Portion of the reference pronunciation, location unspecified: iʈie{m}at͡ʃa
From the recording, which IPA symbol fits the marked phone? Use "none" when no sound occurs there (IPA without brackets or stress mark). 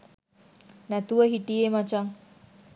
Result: m